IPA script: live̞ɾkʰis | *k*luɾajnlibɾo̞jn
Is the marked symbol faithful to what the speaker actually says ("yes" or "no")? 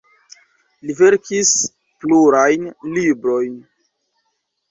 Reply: no